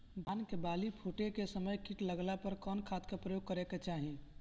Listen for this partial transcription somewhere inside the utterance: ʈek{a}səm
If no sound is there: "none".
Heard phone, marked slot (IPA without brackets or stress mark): e